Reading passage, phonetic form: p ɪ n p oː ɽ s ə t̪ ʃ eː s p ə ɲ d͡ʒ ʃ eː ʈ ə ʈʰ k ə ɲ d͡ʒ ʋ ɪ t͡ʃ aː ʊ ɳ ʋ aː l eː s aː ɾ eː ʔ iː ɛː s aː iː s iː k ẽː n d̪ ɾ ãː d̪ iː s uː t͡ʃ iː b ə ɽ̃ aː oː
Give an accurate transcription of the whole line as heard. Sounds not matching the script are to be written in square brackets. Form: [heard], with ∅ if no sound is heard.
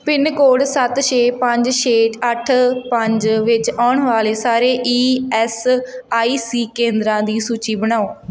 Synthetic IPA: p ɪ n [k] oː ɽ s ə t̪ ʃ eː [∅] p ə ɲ d͡ʒ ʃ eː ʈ ə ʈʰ [p] ə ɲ d͡ʒ ʋ ɪ t͡ʃ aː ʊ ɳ ʋ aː l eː s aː ɾ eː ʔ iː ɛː s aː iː s iː k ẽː n d̪ ɾ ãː d̪ iː s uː t͡ʃ iː b ə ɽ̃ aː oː